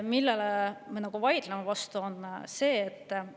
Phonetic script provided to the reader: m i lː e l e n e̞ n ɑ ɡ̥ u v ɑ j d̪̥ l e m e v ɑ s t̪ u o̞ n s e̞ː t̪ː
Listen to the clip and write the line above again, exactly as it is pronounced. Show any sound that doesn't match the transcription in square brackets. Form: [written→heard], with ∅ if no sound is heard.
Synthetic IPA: m i lː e l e [n→m] e̞ n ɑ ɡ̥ u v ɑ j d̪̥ l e m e v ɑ s t̪ u o̞ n s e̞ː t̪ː